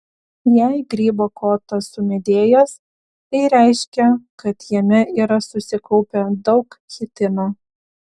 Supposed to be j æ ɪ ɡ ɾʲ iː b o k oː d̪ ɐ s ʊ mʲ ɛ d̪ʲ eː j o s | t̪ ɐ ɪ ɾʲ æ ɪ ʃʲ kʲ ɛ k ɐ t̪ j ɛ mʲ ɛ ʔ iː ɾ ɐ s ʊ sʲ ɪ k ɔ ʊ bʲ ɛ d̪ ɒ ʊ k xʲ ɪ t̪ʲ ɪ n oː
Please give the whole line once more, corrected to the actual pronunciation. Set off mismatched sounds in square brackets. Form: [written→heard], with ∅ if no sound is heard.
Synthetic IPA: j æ ɪ ɡ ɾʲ iː b o k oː [d̪→t̪] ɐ s ʊ mʲ ɛ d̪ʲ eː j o s | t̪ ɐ ɪ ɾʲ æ ɪ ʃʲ kʲ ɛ k ɐ t̪ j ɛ mʲ ɛ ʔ iː ɾ ɐ s ʊ sʲ ɪ k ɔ ʊ [bʲ→pʲ] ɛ d̪ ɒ ʊ k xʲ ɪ t̪ʲ ɪ n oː